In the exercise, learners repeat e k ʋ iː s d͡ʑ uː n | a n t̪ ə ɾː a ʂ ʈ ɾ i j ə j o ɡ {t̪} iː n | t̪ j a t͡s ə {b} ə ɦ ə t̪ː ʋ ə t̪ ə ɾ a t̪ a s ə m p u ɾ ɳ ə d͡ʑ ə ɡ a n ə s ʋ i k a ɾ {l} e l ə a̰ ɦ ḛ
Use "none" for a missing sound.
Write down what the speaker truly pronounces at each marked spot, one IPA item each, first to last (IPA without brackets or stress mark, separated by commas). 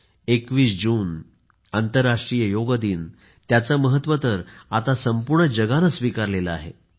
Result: d̪, m, l